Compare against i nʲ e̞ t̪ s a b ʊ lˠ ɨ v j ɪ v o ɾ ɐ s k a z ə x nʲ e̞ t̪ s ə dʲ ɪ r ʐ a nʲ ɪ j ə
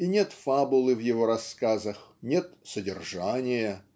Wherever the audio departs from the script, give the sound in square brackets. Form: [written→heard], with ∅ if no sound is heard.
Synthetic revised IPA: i nʲ e̞ t̪ [s→f] a b ʊ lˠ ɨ v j ɪ v o ɾ ɐ s k a z ə x nʲ e̞ t̪ s ə dʲ ɪ r ʐ a nʲ ɪ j ə

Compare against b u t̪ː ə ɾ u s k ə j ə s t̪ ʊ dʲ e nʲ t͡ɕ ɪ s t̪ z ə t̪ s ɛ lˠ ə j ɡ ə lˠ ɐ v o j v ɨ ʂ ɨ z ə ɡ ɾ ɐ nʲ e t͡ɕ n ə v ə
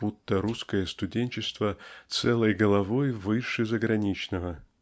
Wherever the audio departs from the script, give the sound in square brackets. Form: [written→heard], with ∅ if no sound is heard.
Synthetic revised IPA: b u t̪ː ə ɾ u s k ə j ə s t̪ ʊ dʲ e nʲ t͡ɕ ɪ s t̪ [z→v] ə t̪ s ɛ lˠ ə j ɡ ə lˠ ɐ v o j v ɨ ʂ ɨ z ə ɡ ɾ ɐ nʲ [e→i] t͡ɕ n ə v ə

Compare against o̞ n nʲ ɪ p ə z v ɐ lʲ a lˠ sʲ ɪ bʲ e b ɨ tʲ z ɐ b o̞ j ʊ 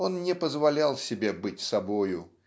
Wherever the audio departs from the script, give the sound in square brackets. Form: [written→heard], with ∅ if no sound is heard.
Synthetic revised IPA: o̞ n nʲ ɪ p ə z v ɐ lʲ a lˠ sʲ ɪ bʲ e b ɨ tʲ [z→s] ɐ b o̞ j ʊ

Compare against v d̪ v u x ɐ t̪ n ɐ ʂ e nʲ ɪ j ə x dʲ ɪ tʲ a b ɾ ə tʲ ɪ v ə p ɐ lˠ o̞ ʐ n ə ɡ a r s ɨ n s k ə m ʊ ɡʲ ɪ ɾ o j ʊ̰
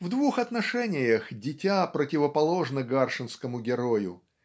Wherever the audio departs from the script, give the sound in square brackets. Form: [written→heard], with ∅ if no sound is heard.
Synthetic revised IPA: v d̪ v u x ɐ t̪ n ɐ ʂ [e→ɛ] nʲ ɪ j ə x dʲ ɪ tʲ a [b→p] ɾ ə tʲ ɪ v ə p ɐ lˠ o̞ ʐ n ə ɡ a r [s→ʂ] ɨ n s k ə m ʊ ɡʲ ɪ ɾ o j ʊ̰

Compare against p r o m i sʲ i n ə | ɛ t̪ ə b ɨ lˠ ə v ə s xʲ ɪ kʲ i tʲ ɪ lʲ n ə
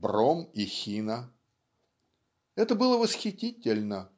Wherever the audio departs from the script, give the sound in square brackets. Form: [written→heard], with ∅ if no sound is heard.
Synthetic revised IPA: [p→b] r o m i [sʲ→xʲ] i n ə | ɛ t̪ ə b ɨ lˠ ə v ə s xʲ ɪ [kʲ→tʲ] i tʲ ɪ lʲ n ə

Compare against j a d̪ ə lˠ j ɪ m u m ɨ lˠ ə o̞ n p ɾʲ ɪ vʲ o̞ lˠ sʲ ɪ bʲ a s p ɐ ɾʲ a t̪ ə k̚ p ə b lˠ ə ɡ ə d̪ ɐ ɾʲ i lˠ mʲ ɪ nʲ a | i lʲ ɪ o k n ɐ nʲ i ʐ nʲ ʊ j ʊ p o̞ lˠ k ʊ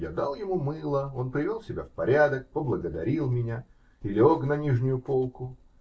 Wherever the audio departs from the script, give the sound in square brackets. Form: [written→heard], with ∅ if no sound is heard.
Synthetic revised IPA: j a d̪ [ə→a] lˠ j ɪ m u m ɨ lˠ ə o̞ n p ɾʲ ɪ vʲ o̞ lˠ sʲ ɪ bʲ a [s→f] p ɐ ɾʲ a [t̪→d̪] ə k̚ p ə b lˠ ə ɡ ə d̪ ɐ ɾʲ i lˠ mʲ ɪ nʲ a | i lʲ ɪ o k n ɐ nʲ i ʐ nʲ ʊ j ʊ p o̞ lˠ k ʊ

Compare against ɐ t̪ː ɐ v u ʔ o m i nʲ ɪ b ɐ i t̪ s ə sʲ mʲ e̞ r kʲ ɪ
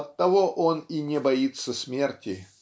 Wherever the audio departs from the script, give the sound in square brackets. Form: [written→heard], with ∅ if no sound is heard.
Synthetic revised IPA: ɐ t̪ː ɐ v [u→o] ʔ o [m→n] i nʲ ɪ b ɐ i t̪ s ə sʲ mʲ e̞ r [kʲ→tʲ] ɪ

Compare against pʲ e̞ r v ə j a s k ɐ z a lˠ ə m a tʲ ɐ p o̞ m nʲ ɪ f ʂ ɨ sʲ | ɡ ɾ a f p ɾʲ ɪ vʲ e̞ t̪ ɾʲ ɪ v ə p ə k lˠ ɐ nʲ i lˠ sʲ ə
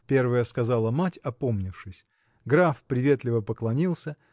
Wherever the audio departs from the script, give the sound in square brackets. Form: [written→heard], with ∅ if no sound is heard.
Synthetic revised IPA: pʲ e̞ r v ə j [a→ə] s k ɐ z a lˠ ə m a tʲ ɐ p o̞ m nʲ ɪ f ʂ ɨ sʲ | ɡ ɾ a f p ɾʲ ɪ vʲ e̞ t̪ [ɾʲ→lʲ] ɪ v ə p ə k lˠ ɐ nʲ i lˠ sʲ ə

